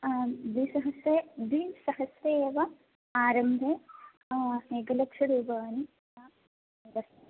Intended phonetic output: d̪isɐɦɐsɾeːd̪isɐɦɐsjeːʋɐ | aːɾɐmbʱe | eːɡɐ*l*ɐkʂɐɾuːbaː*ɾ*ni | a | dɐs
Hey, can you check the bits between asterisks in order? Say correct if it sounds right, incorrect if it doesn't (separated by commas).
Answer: correct, incorrect